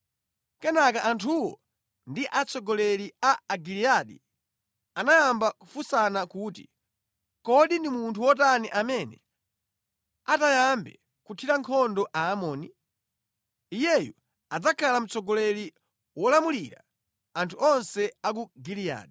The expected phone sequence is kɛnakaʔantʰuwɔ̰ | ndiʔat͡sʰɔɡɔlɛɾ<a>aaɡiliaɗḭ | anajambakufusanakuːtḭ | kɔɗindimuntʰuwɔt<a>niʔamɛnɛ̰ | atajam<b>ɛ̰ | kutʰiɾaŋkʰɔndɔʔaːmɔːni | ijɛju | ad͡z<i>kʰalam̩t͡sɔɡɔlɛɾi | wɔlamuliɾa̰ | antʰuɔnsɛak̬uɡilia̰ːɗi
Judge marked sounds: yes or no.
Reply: no, yes, yes, no

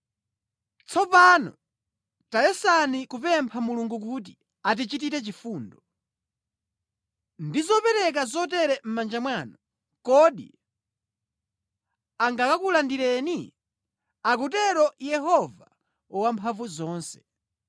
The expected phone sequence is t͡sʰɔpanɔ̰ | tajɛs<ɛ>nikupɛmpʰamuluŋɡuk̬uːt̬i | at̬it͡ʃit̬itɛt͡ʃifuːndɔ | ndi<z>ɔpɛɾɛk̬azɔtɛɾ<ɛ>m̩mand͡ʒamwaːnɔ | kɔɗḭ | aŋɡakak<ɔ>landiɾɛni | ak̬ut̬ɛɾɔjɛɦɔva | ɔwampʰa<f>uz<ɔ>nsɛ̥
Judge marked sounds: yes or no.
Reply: no, yes, yes, no, no, no

